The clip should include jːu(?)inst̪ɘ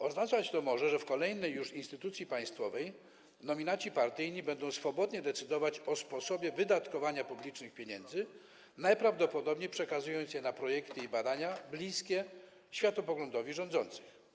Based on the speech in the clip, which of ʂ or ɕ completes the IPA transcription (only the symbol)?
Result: ʂ